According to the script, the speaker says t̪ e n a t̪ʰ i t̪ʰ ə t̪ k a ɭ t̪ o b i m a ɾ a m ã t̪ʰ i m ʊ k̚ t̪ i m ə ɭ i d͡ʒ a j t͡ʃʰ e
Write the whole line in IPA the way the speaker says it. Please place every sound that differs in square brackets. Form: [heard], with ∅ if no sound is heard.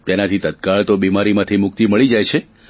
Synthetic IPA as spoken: t̪ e n a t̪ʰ i [t̪] ə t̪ k a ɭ t̪ o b i m a ɾ [i] m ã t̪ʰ i m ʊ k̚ t̪ i m ə ɭ i d͡ʒ a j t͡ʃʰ e